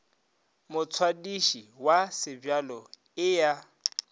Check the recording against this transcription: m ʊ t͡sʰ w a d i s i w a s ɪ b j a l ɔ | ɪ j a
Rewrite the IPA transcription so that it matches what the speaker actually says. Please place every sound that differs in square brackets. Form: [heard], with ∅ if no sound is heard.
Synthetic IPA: m ʊ t͡sʰ w a d i [ʃ] i w a s ɪ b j a l ɔ | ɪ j a